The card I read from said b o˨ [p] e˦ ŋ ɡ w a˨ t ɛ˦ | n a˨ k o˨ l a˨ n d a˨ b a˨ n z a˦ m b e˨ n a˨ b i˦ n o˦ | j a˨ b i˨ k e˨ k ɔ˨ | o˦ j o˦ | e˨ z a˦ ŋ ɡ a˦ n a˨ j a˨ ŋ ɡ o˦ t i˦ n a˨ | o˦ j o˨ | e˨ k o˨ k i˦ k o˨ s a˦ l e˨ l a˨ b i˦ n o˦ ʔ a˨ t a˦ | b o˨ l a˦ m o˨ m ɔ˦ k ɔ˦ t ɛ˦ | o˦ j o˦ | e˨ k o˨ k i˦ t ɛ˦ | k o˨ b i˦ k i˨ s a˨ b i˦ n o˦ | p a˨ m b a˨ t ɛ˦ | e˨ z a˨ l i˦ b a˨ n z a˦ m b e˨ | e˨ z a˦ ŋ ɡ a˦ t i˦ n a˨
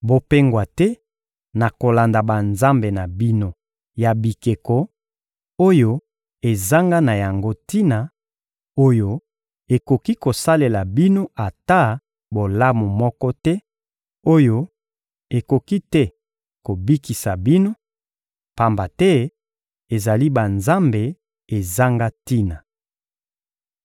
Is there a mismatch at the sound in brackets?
no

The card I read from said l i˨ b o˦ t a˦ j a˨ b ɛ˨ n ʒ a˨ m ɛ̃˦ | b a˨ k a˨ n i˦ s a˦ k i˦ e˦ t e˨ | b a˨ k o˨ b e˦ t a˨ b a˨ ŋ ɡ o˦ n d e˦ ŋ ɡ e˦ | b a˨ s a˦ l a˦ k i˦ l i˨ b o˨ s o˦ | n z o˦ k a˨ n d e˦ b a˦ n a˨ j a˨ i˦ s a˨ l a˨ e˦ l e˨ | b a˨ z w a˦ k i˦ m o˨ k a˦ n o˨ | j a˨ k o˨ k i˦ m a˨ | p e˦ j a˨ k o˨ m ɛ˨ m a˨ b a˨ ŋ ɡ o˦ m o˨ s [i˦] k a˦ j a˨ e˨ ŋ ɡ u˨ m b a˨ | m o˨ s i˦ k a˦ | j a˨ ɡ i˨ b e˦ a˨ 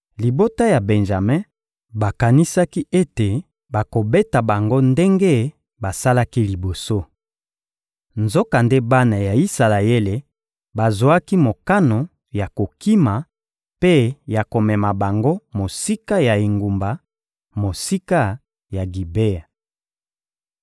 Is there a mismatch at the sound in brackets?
no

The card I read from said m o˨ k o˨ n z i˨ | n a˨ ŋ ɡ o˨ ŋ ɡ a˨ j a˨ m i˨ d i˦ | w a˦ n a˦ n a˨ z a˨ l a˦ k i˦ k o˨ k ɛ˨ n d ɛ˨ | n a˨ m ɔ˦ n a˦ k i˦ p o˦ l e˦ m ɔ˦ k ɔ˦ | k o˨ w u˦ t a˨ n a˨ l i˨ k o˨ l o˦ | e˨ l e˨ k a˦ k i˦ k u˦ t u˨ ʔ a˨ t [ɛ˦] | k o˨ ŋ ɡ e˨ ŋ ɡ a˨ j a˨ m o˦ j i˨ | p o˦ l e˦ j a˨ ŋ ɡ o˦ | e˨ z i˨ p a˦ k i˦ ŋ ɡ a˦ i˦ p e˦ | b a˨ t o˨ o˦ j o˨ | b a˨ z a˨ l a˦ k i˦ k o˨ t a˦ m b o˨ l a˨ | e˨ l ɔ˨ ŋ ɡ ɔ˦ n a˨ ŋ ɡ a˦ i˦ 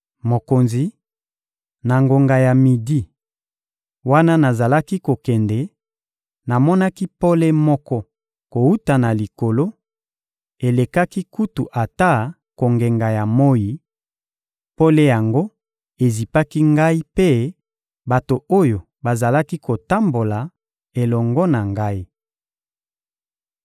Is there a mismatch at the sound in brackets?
yes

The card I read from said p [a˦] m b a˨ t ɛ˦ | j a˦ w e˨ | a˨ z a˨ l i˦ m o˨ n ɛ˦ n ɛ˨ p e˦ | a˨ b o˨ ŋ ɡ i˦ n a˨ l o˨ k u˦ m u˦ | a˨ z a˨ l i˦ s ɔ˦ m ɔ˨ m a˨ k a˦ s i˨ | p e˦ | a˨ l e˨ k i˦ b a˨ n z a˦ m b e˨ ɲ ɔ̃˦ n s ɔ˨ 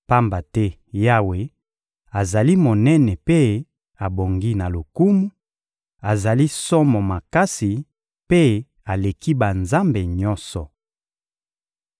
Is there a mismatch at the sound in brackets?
no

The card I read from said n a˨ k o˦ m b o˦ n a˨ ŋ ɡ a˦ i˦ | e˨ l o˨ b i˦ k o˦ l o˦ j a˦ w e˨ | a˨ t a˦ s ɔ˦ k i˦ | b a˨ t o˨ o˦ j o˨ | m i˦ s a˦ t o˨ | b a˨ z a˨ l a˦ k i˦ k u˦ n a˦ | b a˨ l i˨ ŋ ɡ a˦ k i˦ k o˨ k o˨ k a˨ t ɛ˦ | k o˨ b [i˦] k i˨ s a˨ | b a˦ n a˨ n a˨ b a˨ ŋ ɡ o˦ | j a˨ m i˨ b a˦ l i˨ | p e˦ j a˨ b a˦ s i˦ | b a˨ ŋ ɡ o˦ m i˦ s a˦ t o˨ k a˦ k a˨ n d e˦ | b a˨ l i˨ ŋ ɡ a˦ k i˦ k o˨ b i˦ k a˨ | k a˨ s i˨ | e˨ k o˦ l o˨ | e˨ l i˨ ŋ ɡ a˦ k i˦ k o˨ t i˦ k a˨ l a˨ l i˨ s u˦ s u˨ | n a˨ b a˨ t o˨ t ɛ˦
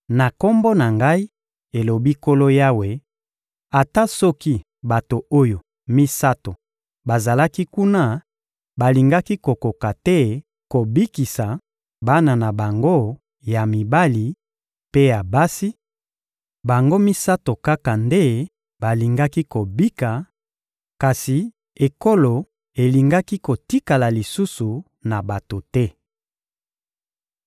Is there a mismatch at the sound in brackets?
no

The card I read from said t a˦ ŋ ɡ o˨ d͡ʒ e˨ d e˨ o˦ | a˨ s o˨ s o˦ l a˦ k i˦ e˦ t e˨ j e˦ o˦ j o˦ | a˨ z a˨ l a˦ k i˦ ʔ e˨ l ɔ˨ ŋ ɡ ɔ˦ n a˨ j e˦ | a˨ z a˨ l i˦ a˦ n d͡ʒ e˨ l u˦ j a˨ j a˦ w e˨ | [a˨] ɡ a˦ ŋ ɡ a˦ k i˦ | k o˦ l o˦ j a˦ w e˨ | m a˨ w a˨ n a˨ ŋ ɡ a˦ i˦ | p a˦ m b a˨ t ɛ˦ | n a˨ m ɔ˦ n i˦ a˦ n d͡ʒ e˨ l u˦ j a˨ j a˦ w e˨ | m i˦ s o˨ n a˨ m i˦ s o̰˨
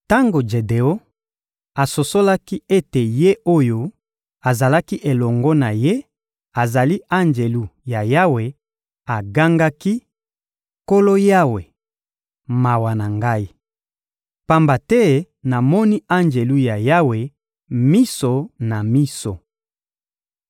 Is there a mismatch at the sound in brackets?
no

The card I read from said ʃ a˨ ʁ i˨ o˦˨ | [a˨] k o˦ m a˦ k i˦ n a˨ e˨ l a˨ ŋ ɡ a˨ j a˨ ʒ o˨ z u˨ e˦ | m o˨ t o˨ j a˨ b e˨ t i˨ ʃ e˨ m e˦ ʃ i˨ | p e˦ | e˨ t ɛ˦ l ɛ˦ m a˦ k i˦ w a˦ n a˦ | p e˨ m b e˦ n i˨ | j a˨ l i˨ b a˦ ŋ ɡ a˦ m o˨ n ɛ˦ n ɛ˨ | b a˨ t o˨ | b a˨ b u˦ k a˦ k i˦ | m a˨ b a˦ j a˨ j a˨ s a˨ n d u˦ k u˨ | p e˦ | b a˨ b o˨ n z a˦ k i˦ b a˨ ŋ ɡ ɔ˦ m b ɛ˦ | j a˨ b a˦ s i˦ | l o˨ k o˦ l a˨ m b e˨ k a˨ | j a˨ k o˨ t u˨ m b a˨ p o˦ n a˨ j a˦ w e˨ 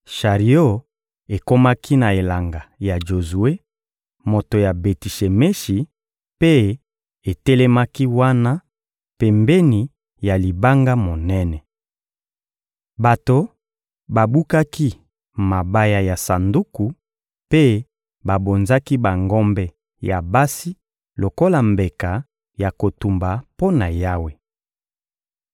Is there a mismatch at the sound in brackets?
yes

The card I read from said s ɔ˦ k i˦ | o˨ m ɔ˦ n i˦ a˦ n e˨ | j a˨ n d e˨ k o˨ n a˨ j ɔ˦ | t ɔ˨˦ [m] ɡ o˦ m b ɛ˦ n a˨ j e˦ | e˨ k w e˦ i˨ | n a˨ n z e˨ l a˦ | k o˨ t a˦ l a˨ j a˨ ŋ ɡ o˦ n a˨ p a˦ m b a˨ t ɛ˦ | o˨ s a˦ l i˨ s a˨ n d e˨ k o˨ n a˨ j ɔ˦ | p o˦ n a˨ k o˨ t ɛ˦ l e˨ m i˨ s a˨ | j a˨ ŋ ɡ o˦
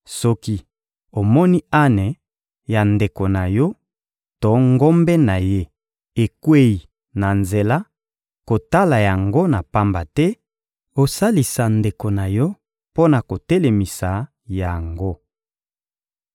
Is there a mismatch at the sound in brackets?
yes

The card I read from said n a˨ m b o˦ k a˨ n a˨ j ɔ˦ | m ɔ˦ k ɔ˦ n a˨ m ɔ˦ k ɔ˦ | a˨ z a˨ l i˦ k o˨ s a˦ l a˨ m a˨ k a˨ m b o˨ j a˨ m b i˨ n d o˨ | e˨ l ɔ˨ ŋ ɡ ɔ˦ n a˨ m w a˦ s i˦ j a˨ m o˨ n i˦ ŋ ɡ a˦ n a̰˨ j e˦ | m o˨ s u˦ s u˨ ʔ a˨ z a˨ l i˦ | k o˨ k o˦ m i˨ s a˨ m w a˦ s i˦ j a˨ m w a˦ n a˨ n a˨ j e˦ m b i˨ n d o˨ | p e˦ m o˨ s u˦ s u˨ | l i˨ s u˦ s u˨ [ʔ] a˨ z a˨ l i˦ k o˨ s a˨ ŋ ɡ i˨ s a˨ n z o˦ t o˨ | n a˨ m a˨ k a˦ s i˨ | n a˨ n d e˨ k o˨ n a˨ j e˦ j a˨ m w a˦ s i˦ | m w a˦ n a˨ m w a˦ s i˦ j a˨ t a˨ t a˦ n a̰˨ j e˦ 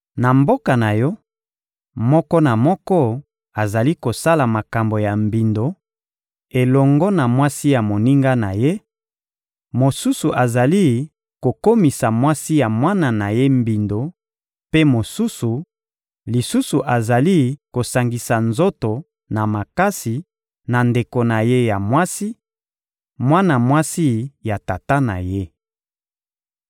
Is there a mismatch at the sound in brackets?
no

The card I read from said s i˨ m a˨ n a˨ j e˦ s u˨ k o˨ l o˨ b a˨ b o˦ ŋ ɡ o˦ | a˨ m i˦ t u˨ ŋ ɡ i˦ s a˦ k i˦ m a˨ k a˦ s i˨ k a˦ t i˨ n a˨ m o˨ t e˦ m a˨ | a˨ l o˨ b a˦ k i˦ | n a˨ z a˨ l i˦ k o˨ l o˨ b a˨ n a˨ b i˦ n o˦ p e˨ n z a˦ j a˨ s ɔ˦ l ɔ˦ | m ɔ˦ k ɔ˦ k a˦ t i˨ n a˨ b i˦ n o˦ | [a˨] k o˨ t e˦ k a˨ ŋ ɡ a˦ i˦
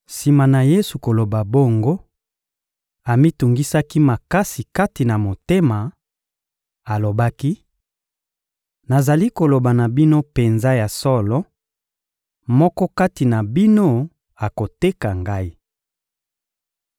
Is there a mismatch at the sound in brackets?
no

